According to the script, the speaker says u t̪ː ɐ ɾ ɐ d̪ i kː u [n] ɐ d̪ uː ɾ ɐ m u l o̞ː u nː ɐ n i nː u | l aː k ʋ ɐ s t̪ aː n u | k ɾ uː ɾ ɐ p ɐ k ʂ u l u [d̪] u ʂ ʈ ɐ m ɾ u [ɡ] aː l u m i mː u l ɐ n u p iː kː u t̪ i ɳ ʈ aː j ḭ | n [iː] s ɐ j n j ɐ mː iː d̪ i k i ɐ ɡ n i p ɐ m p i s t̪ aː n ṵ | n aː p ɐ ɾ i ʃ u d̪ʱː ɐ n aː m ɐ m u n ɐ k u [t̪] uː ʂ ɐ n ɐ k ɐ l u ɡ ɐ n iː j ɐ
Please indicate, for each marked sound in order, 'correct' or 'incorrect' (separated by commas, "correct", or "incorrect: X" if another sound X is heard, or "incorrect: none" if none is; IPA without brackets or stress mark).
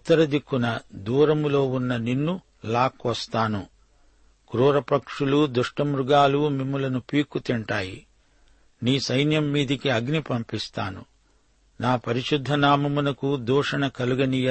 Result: correct, correct, correct, correct, incorrect: d̪